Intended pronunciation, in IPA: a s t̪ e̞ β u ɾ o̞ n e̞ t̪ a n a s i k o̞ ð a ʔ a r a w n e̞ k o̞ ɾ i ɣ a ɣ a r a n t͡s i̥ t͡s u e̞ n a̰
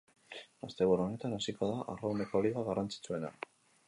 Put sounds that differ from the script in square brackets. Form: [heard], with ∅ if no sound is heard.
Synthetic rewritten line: a s t̪ e̞ β u ɾ o̞ n e̞ t̪ a n a s i k o̞ ð a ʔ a r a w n e̞ k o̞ [l] i ɣ a ɣ a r a n t͡s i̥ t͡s u e̞ n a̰